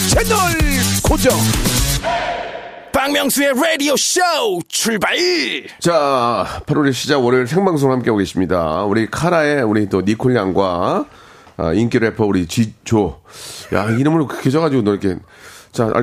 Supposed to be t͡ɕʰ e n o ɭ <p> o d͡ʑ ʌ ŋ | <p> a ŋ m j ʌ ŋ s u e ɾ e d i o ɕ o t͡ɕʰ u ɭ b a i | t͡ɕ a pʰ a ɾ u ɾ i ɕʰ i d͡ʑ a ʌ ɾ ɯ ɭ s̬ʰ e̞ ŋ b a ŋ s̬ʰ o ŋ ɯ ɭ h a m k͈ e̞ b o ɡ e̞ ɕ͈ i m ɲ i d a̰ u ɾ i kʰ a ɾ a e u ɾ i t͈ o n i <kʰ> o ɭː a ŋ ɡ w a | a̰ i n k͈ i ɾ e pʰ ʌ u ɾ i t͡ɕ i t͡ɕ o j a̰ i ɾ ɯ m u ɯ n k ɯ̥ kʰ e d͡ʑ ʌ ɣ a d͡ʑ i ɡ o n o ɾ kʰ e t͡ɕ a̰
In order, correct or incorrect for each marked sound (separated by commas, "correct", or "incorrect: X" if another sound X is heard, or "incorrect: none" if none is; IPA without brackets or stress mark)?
incorrect: k, correct, correct